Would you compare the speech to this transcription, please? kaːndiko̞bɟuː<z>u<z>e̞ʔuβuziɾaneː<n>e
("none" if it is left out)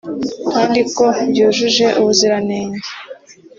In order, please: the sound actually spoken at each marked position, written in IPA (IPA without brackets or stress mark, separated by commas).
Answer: ʒ, ʒ, ɲ